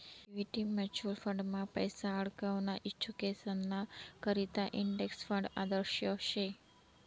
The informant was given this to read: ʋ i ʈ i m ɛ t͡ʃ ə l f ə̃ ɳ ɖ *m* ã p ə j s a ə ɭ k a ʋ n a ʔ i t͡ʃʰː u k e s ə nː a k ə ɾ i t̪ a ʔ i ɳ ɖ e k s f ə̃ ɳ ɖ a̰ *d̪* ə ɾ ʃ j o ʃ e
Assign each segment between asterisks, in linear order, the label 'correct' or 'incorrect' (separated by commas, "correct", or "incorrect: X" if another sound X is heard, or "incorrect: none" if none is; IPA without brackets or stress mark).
correct, correct